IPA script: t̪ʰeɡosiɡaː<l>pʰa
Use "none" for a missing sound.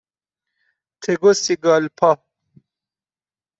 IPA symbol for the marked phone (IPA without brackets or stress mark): l